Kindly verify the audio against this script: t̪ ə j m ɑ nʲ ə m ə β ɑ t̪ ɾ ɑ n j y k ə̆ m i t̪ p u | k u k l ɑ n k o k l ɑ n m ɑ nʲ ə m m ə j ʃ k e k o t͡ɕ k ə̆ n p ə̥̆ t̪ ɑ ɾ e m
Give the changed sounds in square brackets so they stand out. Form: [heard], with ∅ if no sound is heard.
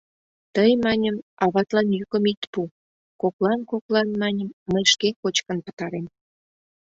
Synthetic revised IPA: t̪ ə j m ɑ nʲ ə m [ɑ] β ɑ t̪ [l] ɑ n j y k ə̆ m i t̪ p u | k [o] k l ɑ n k o k l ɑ n m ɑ nʲ ə m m ə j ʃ k e k o t͡ɕ k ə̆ n p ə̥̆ t̪ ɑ ɾ e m